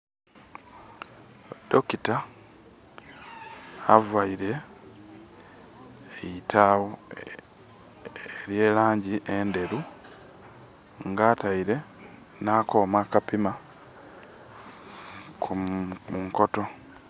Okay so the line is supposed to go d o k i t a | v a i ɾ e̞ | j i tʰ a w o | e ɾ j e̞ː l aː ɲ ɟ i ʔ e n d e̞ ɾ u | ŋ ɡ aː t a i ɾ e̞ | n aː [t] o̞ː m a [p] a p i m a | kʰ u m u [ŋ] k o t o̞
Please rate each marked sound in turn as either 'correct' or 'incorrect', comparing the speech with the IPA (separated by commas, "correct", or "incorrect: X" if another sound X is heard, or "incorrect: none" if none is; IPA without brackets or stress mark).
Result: incorrect: k, incorrect: k, correct